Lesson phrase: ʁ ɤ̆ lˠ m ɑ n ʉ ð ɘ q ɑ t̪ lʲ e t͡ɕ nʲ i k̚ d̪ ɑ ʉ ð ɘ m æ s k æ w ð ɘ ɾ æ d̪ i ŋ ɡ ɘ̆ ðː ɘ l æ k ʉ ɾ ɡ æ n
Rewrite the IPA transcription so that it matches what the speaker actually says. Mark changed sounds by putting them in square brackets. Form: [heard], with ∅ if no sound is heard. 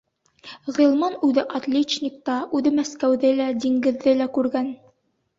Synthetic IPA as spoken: ʁ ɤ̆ lˠ m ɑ n ʉ ð ɘ [ʔ] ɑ t̪ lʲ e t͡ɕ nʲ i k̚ [t̪] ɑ ʉ ð ɘ m æ s k æ w ð ɘ [l] æ d̪ i ŋ ɡ ɘ̆ ðː ɘ l æ k ʉ ɾ ɡ æ n

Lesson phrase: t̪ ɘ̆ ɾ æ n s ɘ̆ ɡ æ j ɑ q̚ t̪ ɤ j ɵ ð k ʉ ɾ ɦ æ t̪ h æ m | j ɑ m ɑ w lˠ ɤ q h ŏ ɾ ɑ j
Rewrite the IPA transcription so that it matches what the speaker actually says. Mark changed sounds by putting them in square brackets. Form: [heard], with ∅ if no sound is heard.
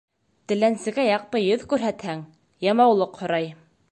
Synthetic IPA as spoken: t̪ ɘ̆ [l] æ n s ɘ̆ ɡ æ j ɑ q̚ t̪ ɤ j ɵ ð k ʉ ɾ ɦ æ t̪ h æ [ŋ] | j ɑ m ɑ w lˠ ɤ q h ŏ ɾ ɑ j

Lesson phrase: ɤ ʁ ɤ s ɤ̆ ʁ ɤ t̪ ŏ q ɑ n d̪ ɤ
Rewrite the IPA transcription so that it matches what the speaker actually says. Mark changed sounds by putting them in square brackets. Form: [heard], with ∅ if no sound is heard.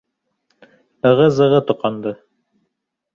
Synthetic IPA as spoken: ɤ ʁ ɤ [z] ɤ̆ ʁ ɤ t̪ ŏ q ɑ n d̪ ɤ

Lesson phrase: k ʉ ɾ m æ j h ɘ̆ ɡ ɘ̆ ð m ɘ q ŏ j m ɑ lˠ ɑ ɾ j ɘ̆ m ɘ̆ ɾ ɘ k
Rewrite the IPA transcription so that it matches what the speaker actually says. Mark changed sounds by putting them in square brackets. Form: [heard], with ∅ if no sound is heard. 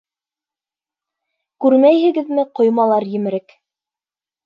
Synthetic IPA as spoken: k ʉ ɾ m æ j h ɘ̆ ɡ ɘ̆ ð m ɘ q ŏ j m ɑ lˠ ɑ ɾ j ɘ̆ m ɘ̆ ɾ ɘ k

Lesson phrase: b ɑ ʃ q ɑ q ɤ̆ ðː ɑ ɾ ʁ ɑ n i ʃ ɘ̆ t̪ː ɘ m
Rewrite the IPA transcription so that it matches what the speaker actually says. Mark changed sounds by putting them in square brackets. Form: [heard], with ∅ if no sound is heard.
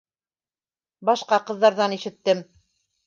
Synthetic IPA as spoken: b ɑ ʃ q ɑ q ɤ̆ ðː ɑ ɾ [ð] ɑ n i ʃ ɘ̆ t̪ː ɘ m

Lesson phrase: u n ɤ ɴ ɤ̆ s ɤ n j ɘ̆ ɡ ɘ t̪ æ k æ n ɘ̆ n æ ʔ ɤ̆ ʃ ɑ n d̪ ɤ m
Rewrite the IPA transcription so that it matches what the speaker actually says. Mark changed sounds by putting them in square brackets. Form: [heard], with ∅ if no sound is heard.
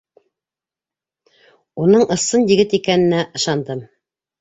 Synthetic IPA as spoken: u n ɤ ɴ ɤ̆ s ɤ n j ɘ̆ ɡ ɘ t̪ [i] k æ n ɘ̆ n æ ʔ ɤ̆ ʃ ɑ n d̪ ɤ m

